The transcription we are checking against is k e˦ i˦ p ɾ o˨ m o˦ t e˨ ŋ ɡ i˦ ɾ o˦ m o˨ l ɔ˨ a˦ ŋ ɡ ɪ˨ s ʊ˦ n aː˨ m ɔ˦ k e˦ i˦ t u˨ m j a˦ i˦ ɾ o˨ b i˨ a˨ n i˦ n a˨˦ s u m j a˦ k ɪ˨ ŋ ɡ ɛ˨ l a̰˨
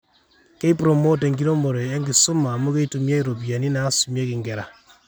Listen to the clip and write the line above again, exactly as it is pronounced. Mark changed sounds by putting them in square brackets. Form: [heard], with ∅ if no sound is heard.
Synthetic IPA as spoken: k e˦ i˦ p ɾ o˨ m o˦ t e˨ ŋ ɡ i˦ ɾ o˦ m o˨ [ɾ] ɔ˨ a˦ ŋ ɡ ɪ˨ s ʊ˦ [m] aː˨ m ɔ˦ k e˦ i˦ t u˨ m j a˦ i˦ ɾ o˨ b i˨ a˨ n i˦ n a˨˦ s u m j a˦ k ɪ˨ ŋ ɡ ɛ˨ [ɾ] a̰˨